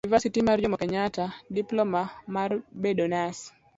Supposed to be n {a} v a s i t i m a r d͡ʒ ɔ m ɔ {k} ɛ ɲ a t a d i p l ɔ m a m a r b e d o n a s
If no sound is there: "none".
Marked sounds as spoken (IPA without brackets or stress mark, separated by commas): i, k